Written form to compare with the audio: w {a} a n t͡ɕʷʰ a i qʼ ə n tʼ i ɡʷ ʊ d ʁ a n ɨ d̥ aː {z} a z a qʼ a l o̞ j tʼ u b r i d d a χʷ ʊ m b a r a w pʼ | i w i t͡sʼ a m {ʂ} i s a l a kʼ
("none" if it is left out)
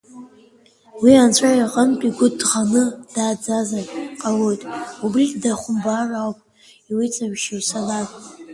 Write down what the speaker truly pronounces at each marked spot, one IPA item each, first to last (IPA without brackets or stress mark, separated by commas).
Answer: i, d͡z, ʃ